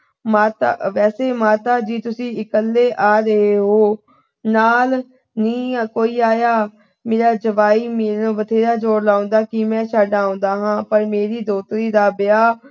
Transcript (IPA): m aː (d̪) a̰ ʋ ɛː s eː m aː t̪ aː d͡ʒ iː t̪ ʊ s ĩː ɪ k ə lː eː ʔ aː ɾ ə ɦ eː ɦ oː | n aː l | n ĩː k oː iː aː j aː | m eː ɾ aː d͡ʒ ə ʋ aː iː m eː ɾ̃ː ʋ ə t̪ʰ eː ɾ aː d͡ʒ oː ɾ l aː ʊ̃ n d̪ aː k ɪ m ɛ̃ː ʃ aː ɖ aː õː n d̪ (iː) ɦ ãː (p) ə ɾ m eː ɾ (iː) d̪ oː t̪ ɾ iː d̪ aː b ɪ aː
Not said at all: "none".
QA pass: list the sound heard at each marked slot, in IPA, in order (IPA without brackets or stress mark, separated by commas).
t̪, aː, p, iː